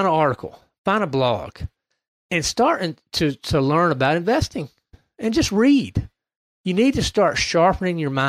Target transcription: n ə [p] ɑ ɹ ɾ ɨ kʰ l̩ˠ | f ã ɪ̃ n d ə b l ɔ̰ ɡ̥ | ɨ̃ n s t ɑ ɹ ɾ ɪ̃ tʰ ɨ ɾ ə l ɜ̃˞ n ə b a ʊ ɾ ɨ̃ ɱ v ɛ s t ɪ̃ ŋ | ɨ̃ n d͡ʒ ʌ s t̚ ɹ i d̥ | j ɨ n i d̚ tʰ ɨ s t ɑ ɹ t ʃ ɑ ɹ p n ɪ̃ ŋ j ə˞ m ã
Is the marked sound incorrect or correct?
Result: incorrect